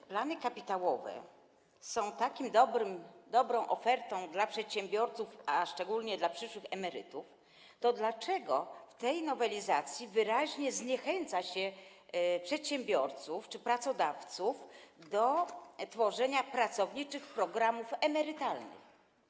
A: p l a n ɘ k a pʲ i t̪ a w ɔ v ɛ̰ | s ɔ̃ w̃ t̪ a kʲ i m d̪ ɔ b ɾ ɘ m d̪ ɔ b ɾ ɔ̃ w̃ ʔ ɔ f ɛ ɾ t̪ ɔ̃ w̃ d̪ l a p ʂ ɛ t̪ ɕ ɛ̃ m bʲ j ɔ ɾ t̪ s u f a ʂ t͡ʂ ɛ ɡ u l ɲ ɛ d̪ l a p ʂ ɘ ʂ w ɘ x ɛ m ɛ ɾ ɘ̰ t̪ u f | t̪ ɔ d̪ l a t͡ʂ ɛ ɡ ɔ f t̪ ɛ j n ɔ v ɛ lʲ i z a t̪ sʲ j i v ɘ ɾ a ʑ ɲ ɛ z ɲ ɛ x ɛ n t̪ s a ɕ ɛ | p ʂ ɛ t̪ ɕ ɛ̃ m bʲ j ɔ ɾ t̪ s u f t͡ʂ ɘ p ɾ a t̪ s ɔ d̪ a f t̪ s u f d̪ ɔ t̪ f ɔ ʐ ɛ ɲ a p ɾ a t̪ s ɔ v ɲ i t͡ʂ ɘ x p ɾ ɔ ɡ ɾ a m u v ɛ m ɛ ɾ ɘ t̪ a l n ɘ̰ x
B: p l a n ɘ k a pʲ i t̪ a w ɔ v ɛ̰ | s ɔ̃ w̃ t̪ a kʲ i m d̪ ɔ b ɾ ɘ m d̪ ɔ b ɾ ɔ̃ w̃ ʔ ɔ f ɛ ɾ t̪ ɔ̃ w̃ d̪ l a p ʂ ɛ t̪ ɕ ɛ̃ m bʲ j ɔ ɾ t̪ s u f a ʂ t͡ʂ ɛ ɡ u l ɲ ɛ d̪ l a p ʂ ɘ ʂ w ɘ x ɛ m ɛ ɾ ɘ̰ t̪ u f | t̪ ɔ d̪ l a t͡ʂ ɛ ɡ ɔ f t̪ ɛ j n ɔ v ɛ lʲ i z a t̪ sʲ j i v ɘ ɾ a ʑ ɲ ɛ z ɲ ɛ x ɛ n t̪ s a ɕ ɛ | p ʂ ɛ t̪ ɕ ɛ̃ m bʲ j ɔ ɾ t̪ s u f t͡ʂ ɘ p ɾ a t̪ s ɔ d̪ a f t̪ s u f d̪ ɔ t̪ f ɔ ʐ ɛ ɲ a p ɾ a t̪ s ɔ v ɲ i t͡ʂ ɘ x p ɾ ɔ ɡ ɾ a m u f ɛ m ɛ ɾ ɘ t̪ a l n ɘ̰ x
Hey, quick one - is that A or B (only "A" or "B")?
B